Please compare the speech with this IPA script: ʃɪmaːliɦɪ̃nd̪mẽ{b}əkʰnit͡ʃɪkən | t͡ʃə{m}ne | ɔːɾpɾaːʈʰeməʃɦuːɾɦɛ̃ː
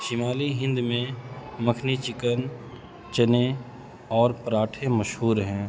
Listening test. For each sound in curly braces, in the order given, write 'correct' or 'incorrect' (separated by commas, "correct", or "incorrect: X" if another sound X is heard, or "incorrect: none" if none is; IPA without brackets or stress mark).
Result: incorrect: m, incorrect: none